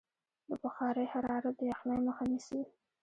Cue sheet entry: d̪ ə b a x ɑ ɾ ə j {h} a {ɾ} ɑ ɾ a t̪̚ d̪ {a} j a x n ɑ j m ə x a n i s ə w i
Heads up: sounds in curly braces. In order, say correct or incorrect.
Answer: correct, correct, incorrect: ə

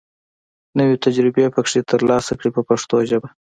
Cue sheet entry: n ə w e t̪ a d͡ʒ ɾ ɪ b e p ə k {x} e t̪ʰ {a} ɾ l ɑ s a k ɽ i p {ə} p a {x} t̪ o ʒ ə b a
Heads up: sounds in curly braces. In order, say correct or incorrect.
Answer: incorrect: ʂ, incorrect: ə, correct, incorrect: ʂ

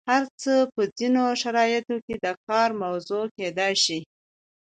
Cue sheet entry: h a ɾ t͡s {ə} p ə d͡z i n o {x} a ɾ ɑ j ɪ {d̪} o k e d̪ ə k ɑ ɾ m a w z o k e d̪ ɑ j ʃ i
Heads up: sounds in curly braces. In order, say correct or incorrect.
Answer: correct, incorrect: ʃ, incorrect: t̪

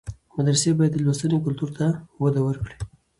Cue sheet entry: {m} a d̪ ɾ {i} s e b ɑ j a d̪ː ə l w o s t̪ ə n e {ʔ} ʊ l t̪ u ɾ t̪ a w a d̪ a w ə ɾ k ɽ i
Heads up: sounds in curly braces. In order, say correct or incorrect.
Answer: correct, incorrect: a, incorrect: k

